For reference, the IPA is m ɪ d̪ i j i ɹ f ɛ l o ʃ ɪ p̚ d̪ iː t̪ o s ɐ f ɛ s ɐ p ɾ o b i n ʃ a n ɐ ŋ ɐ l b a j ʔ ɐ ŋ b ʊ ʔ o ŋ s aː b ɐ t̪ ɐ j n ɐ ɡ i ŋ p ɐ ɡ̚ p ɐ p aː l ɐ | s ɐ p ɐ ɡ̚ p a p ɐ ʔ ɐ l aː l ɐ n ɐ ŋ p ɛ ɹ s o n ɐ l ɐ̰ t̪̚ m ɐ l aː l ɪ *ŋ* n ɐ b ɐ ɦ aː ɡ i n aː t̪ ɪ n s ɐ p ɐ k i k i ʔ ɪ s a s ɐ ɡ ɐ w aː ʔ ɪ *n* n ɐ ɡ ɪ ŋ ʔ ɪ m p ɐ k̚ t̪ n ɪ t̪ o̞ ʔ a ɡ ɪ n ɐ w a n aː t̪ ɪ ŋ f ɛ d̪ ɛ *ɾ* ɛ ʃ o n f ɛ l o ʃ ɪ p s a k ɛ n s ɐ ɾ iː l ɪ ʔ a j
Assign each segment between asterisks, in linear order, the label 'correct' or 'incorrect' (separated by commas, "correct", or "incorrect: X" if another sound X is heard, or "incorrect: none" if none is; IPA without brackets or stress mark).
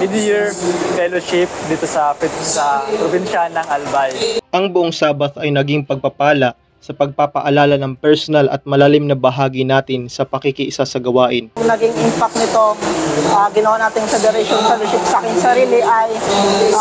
incorrect: m, correct, correct